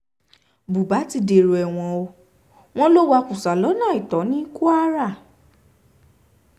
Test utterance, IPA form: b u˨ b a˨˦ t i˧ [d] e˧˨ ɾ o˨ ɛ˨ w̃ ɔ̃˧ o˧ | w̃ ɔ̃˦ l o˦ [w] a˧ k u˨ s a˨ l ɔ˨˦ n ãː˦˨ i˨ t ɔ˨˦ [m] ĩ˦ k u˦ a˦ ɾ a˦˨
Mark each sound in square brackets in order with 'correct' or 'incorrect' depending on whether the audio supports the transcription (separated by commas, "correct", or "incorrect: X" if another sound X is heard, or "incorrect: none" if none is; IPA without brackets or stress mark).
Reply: correct, correct, incorrect: n